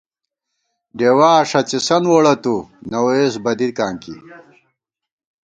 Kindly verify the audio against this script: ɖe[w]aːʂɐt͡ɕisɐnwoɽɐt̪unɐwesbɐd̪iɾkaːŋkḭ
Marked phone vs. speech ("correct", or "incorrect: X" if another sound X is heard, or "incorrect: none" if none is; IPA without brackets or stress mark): correct